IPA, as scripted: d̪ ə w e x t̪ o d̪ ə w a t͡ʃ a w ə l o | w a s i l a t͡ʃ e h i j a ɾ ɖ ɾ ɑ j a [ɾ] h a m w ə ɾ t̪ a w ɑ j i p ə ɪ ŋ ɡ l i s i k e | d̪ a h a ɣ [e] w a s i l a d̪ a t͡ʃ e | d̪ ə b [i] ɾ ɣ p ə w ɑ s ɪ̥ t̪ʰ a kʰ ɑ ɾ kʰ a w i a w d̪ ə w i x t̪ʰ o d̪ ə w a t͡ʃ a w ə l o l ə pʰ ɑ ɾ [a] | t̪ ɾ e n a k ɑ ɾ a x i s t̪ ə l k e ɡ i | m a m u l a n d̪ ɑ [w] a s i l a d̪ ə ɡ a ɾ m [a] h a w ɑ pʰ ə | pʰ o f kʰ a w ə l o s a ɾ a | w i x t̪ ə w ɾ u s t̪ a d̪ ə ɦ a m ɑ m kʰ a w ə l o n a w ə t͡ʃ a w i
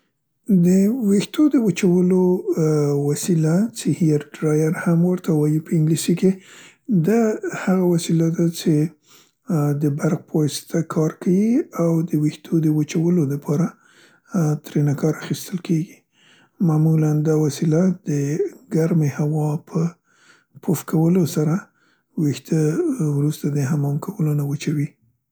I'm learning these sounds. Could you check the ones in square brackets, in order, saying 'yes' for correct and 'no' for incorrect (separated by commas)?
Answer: yes, no, no, yes, yes, no